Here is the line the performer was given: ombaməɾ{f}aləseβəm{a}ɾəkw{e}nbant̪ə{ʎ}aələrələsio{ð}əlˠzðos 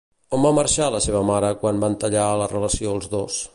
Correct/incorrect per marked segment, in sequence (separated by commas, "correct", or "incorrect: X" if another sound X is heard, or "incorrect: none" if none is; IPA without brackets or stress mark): incorrect: ʃ, correct, incorrect: a, correct, incorrect: none